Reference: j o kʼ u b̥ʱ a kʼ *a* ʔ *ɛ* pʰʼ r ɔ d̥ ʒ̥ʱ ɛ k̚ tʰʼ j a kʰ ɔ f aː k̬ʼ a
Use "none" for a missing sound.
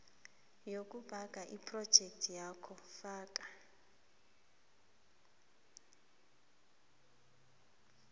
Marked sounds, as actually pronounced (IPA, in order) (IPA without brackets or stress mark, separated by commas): a, i